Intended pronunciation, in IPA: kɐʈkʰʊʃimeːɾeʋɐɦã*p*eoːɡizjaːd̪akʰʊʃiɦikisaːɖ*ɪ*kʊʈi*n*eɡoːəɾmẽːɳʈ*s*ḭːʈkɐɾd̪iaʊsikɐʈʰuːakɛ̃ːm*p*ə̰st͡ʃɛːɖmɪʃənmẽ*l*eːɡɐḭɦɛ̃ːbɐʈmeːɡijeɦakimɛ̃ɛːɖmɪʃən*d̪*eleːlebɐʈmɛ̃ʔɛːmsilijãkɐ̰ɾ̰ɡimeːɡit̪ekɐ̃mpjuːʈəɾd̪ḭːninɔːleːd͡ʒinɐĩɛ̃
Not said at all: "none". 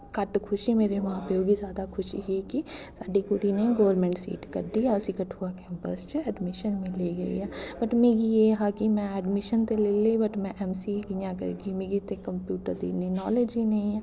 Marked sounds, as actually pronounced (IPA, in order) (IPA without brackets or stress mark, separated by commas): p, i, n, s, p, l, t̪